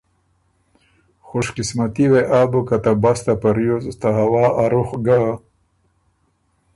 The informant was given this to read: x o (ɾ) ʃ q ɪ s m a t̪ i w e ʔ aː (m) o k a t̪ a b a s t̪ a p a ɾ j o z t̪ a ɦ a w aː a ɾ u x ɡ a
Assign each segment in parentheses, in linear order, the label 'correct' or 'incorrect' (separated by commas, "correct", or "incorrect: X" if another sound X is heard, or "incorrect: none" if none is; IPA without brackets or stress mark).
incorrect: none, incorrect: b